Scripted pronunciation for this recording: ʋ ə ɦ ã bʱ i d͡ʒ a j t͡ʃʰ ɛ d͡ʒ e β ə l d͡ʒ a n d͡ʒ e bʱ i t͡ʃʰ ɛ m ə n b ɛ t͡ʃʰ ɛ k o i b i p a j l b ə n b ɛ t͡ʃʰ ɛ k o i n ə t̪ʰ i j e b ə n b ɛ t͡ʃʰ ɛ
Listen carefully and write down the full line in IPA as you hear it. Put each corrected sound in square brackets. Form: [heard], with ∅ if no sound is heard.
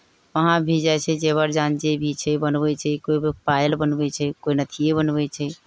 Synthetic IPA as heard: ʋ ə ɦ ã bʱ i d͡ʒ a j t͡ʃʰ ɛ d͡ʒ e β ə [ɾ] d͡ʒ a n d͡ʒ e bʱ i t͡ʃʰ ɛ [b] ə n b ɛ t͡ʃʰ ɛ k o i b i p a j l b ə n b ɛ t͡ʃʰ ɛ k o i n ə t̪ʰ i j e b ə n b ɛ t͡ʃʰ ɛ

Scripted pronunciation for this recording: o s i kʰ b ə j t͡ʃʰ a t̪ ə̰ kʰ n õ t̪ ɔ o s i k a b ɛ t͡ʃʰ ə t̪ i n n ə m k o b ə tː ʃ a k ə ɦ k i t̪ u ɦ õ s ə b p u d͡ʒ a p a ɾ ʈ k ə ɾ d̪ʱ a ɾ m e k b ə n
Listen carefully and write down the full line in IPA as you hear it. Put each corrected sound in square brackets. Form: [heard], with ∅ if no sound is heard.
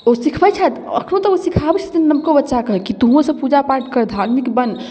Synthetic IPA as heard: o s i kʰ b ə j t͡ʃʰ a t̪ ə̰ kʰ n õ t̪ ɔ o s i [kʰ] a b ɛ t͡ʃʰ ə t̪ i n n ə m k o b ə tː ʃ a k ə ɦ k i t̪ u ɦ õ s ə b p u d͡ʒ a p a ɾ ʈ k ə ɾ d̪ʱ a ɾ m [i] k b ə n

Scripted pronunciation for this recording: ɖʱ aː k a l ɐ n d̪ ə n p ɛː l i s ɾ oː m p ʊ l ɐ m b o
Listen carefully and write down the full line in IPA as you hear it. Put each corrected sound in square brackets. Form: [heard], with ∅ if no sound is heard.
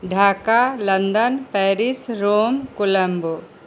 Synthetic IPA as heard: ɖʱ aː k a l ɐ n d̪ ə n p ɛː [ɾ] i s ɾ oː m [k] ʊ l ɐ m b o

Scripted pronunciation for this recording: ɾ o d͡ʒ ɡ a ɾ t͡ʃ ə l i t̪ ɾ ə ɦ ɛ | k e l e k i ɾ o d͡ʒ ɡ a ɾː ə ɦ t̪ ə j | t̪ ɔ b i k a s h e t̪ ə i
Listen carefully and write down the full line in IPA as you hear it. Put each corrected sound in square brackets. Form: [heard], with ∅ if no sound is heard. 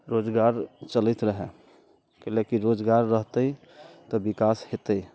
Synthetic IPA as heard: ɾ o d͡ʒ ɡ a ɾ t͡ʃ ə l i t̪ ɾ ə ɦ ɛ | k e l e k i ɾ o d͡ʒ ɡ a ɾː ə ɦ t̪ ə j | t̪ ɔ b i k a s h e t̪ ə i

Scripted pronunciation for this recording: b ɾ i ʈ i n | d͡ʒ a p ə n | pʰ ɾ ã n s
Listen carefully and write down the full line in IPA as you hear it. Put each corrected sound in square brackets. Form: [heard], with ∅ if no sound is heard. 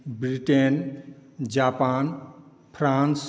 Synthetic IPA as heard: b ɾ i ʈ [e] n | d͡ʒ a p [a] n | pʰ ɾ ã n s

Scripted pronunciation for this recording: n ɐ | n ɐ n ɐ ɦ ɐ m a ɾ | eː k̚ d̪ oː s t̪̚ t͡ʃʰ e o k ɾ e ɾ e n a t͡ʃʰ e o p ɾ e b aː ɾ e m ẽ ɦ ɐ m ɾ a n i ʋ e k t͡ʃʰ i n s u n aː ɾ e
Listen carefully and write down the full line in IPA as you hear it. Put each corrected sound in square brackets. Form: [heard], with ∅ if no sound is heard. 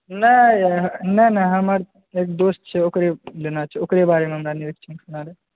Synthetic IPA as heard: n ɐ | n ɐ n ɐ ɦ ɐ m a ɾ | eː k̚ d̪ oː s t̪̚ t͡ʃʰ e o k ɾ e [l] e n a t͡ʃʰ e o [k] ɾ e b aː ɾ e m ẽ ɦ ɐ m ɾ a n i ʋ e k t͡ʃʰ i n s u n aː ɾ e

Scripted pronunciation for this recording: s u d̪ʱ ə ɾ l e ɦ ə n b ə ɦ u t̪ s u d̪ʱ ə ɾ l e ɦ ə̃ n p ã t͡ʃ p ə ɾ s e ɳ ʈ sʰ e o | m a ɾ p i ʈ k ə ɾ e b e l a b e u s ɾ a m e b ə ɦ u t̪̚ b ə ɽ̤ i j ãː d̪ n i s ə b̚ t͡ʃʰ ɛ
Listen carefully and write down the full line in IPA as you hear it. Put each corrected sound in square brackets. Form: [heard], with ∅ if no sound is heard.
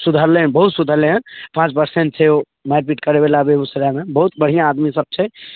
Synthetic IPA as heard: s u d̪ʱ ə ɾ l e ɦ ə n b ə ɦ u t̪ s u d̪ʱ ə ɾ l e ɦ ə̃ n p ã t͡ʃ p ə ɾ s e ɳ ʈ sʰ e o | m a ɾ p i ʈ k ə ɾ e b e l a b e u s ɾ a m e b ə ɦ u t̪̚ b ə ɽ̤ i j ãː d̪ [m] i s ə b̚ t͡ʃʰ ɛ

